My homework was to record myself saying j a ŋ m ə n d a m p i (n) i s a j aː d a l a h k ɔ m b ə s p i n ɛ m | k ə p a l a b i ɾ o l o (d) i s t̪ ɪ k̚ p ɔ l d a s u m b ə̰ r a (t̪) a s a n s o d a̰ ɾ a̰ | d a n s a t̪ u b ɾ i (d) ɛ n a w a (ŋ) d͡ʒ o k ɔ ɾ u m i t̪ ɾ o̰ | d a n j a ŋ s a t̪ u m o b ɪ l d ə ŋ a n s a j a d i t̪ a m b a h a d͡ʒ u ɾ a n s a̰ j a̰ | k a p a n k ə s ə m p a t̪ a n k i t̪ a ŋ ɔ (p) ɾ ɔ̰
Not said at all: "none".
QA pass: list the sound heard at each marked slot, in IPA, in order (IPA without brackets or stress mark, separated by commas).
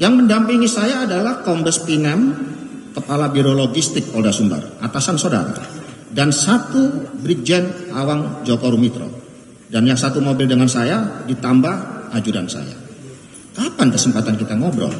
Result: ŋ, ɡ, t̪, d͡ʒ, ŋ, b